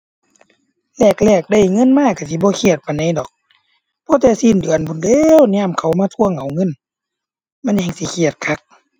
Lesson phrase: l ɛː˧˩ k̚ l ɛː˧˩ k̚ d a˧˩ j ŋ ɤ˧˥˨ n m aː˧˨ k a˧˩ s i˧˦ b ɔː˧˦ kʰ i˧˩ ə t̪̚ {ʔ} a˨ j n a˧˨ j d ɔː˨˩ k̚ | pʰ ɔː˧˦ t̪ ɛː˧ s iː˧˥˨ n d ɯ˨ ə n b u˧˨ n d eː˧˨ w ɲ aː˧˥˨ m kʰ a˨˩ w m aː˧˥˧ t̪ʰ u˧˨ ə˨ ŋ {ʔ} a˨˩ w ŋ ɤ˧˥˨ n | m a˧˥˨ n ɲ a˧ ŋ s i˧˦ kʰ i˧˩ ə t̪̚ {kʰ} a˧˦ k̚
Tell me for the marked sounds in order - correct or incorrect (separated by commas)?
incorrect, correct, correct